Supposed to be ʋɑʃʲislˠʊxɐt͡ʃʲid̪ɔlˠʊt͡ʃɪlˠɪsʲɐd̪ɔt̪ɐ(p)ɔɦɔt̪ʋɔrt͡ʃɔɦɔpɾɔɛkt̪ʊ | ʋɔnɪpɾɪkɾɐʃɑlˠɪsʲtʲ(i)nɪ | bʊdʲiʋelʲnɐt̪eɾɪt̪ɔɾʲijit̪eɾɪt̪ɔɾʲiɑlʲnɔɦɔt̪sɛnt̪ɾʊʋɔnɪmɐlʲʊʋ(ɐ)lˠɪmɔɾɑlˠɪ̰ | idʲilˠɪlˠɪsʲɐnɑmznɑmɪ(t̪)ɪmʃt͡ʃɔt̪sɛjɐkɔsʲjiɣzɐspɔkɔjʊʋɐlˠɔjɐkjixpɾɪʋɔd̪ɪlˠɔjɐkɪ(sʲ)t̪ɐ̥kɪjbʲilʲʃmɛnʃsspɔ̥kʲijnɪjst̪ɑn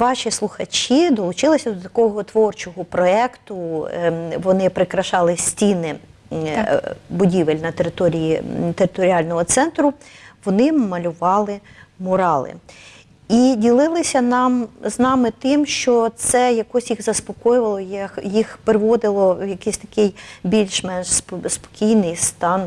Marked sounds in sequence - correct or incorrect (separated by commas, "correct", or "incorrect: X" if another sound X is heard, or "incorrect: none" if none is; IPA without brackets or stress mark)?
incorrect: k, correct, incorrect: ɑ, correct, correct